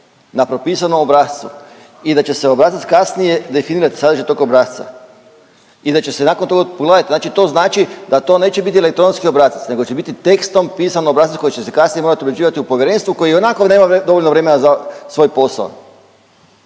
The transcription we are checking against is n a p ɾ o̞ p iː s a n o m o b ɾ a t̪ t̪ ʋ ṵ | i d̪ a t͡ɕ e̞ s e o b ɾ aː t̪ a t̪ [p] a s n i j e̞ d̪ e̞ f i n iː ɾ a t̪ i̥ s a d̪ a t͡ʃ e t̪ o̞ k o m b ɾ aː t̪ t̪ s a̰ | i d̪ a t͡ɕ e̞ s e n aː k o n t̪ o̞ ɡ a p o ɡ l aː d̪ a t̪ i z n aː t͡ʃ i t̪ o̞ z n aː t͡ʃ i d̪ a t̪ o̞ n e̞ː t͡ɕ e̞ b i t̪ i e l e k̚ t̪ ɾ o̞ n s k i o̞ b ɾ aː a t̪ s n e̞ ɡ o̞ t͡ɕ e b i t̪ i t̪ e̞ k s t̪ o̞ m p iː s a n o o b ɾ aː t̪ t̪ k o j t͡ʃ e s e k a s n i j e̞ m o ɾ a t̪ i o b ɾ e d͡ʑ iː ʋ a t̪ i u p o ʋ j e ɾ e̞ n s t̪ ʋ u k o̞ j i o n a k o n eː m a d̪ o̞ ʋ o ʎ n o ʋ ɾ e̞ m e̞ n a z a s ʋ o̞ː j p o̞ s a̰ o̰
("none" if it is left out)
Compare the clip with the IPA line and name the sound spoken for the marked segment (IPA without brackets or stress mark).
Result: k